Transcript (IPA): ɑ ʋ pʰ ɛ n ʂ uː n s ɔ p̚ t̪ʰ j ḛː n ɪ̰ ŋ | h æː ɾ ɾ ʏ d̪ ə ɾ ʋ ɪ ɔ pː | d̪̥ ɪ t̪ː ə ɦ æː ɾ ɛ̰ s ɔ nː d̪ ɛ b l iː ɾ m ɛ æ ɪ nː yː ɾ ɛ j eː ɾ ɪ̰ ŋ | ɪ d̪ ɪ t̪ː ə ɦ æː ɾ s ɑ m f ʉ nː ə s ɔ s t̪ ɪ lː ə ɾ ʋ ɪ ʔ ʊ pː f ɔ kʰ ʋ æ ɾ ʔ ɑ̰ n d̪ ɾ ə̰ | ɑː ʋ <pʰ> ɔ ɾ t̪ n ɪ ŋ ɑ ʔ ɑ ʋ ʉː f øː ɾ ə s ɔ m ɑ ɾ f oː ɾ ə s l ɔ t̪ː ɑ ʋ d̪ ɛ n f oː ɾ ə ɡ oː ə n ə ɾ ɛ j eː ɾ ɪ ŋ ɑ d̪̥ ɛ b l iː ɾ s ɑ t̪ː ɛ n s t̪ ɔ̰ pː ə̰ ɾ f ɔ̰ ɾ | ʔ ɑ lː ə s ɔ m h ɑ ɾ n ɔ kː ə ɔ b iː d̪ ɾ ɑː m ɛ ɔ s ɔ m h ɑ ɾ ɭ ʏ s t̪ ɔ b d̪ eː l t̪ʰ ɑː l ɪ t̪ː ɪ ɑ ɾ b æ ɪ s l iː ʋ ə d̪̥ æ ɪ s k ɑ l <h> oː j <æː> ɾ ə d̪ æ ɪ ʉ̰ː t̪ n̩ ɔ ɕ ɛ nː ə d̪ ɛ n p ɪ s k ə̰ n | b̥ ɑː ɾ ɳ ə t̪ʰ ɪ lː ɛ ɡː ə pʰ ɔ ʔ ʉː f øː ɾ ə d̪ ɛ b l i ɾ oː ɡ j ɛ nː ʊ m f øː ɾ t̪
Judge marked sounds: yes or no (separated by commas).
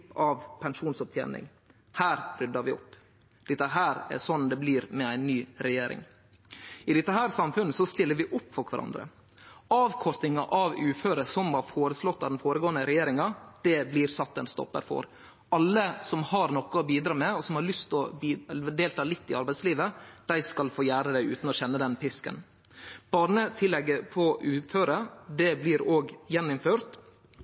no, no, yes